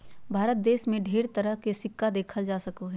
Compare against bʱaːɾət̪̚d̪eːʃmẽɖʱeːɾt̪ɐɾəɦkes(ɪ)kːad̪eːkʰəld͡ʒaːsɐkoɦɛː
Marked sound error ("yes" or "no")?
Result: no